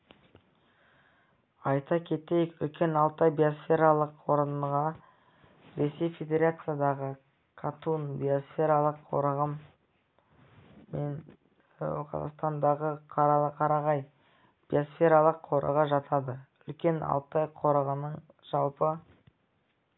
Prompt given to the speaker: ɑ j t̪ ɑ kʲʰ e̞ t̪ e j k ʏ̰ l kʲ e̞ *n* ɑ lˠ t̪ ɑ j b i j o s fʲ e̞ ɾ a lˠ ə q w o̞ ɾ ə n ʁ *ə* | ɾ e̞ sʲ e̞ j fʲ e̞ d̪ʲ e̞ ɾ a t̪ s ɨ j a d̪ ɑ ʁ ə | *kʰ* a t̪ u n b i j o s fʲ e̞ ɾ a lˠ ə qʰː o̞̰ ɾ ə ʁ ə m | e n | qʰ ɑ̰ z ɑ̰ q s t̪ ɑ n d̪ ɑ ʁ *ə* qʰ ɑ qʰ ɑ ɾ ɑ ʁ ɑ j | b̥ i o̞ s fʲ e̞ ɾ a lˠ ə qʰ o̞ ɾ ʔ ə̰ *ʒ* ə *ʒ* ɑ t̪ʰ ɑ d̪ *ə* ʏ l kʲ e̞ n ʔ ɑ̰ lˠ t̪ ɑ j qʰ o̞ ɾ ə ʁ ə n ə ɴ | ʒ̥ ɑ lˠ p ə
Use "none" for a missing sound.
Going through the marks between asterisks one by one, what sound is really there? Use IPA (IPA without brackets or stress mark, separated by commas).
n, ɑ, kʰ, ə, ʁ, ʒ, ə